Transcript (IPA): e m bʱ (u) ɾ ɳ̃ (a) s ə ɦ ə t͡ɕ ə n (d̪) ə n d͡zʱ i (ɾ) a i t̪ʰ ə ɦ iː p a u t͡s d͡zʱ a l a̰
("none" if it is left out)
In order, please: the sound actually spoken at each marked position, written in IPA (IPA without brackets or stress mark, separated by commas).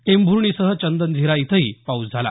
u, i, d̪, ɾ